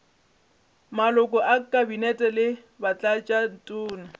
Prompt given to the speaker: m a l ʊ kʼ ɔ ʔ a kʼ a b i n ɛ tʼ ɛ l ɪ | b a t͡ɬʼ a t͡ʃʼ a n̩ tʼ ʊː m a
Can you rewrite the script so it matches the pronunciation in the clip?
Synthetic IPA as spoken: m a l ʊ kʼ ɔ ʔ a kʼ a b i n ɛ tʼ ɛ l ɪ | b a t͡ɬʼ a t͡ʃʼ a n̩ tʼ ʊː n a